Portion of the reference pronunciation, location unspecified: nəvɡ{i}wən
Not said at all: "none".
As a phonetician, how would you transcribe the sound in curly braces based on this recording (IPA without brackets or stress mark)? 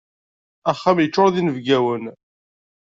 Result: æ